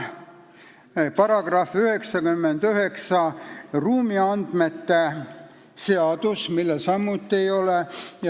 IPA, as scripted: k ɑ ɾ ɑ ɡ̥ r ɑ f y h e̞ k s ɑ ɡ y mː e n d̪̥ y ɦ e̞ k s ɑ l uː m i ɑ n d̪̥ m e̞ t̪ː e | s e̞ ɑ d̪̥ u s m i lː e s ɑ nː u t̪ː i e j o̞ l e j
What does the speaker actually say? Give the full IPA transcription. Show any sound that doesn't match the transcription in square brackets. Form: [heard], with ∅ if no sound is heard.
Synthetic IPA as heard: [p] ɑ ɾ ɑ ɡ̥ r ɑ f y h e̞ k s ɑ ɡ y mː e n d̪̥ y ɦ e̞ k s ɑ [r] uː m i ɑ n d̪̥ m e̞ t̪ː e | s e̞ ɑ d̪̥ u s m i lː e s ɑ [mː] u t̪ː i e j o̞ l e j